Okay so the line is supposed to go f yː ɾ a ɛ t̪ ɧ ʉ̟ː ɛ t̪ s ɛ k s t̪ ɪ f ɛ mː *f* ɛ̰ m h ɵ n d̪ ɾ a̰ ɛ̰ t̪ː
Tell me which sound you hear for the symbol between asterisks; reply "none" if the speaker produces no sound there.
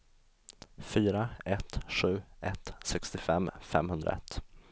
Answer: f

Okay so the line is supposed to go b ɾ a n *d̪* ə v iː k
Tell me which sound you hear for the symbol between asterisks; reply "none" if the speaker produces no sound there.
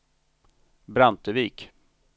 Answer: t̪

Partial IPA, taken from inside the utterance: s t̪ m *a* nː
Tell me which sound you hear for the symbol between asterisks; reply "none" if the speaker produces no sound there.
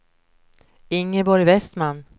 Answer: a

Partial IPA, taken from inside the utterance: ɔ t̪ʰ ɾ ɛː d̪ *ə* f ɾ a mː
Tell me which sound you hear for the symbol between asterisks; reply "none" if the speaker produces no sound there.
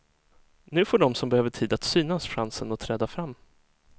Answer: a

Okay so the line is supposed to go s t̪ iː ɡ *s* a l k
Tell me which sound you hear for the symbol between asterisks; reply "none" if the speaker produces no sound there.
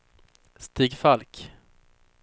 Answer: f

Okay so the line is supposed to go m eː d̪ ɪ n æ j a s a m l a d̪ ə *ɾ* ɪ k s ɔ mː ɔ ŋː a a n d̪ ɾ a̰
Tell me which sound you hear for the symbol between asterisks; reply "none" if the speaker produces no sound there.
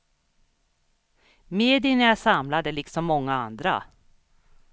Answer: l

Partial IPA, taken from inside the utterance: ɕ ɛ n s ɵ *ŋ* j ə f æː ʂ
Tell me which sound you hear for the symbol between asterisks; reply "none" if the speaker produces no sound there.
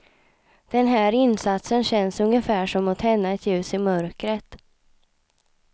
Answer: ŋ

